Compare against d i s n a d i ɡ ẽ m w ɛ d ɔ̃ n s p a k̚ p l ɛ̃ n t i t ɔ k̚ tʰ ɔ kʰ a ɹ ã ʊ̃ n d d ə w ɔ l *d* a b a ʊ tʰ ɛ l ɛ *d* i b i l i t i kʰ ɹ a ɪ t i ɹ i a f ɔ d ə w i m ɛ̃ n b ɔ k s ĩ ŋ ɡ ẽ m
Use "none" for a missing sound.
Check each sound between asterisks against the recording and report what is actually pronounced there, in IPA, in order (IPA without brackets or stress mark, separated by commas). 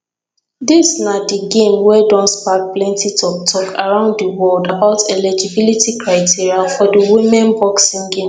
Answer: d, d͡ʒ